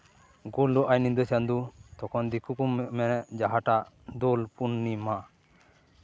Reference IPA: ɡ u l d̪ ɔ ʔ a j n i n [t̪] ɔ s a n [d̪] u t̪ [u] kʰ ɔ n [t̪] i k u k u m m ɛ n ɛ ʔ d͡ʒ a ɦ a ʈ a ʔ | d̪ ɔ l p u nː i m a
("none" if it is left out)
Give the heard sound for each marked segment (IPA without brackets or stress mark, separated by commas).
d̪, d̪, ɔ, d̪